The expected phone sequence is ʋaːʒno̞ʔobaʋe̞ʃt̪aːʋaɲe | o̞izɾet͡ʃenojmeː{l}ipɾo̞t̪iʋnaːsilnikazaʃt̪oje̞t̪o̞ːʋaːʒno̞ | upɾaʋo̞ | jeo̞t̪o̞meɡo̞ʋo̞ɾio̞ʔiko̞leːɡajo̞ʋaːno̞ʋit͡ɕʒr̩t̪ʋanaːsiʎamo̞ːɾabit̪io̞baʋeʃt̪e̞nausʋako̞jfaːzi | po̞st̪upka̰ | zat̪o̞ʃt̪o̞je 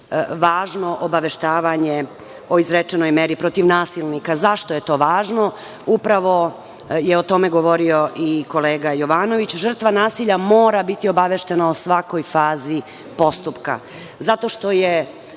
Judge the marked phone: incorrect: ɾ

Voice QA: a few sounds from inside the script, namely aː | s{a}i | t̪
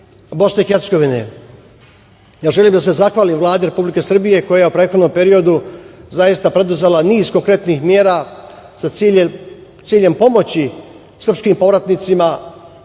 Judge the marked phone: correct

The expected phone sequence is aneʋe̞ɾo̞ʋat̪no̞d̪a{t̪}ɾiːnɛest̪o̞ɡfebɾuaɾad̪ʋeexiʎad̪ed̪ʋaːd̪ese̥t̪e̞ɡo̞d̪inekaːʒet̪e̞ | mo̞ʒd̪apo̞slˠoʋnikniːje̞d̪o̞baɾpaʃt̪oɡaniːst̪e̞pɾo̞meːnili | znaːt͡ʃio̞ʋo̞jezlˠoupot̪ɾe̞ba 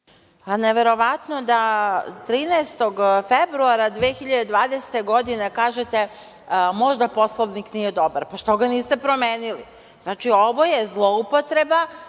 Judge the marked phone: correct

